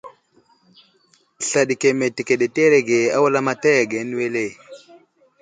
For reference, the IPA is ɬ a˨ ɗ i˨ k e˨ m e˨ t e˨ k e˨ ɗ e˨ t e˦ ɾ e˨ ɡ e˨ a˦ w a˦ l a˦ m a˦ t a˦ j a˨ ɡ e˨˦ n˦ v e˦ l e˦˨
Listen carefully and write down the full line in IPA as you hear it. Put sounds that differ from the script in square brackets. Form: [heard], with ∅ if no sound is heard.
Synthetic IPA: ɬ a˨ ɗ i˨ k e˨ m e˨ t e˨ k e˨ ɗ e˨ t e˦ ɾ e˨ ɡ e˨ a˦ w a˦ l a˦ m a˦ t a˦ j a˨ ɡ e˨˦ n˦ [w] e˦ l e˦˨